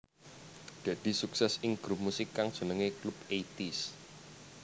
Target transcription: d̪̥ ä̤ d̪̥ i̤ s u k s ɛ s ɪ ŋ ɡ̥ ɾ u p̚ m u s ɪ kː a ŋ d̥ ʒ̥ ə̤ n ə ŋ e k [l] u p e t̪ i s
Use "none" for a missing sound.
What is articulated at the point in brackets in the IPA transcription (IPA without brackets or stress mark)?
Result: l